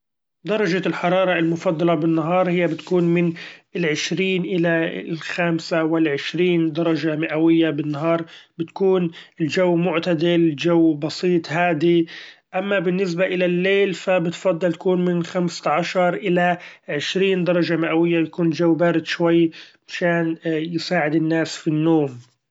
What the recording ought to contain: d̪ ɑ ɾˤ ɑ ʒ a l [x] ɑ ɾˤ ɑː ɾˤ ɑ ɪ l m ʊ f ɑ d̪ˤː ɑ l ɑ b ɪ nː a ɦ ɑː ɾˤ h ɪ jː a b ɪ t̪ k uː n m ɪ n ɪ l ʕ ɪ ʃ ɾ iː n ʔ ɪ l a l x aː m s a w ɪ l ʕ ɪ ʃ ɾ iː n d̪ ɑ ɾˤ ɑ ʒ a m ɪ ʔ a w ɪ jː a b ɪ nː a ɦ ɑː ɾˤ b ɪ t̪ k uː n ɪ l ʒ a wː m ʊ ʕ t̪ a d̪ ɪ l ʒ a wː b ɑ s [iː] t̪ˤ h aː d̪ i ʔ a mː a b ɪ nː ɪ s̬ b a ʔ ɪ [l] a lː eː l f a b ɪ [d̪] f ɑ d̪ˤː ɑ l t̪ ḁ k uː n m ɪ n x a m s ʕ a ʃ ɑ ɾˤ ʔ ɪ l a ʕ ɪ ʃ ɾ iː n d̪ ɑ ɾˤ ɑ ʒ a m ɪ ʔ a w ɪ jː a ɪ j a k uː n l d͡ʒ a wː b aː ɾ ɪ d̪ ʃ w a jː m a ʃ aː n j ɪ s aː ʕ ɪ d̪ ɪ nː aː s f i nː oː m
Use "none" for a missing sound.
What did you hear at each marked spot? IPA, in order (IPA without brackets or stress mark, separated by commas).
ħ, iː, l, t̪